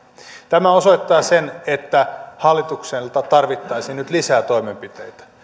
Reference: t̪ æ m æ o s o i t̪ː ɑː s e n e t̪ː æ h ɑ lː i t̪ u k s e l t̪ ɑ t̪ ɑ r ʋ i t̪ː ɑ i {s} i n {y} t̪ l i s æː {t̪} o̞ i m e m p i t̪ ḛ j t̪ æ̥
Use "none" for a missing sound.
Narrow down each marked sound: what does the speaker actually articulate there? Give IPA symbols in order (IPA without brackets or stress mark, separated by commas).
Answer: s, y, t̪